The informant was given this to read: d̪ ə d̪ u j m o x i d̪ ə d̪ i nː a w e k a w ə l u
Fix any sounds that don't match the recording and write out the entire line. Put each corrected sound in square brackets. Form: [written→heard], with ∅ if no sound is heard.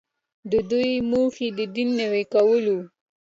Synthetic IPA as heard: d̪ ə d̪ u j m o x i d̪ ə d̪ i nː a w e k a w ə l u